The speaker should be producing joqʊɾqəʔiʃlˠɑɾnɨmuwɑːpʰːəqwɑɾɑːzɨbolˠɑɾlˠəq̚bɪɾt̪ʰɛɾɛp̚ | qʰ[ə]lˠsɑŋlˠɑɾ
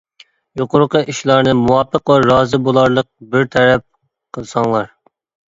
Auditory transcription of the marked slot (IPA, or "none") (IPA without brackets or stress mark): ə